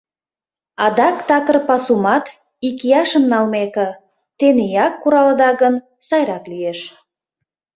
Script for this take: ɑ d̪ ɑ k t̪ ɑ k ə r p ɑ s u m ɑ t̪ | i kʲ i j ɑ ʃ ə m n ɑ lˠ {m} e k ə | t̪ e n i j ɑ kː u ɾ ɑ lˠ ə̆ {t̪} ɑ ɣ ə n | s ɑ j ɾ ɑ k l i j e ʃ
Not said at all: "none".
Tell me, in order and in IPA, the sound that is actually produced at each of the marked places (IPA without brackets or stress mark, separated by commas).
m, d̪